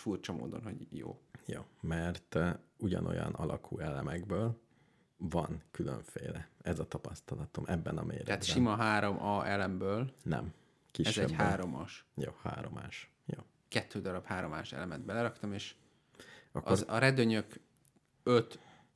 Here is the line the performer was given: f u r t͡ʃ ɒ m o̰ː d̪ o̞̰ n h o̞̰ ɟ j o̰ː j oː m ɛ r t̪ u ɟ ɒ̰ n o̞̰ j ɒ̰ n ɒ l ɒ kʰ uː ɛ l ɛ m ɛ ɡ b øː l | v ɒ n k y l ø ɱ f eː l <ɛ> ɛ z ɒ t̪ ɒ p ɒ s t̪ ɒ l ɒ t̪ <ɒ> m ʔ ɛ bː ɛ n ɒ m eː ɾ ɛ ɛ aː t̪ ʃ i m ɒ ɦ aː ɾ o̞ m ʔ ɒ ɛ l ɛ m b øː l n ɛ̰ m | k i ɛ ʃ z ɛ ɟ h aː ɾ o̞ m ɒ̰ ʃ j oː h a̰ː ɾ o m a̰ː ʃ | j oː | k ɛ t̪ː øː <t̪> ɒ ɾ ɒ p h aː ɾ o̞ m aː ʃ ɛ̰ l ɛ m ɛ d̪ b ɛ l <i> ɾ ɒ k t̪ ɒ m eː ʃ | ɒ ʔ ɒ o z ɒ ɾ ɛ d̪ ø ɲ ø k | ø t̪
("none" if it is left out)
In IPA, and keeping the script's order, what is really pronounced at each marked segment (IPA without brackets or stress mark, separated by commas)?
ɛ, o, d̪, ɛ